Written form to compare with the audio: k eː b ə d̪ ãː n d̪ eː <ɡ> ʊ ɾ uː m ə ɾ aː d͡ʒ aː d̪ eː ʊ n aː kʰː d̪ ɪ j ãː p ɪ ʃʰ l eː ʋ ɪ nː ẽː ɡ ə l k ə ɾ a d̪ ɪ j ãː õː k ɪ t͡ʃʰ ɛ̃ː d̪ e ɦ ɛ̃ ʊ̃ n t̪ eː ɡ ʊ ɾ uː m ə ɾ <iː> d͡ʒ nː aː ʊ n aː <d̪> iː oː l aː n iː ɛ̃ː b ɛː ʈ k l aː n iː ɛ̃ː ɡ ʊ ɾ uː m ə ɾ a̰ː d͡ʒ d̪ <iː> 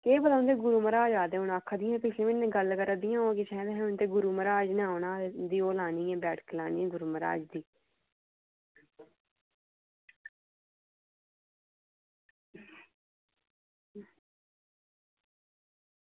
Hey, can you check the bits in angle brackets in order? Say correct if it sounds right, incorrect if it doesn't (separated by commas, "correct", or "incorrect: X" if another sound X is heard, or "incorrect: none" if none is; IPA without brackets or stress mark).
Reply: correct, incorrect: aː, correct, correct